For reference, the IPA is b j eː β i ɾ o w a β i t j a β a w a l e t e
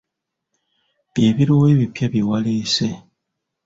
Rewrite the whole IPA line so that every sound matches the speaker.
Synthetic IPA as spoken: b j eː β i ɾ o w e β i p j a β i w a l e s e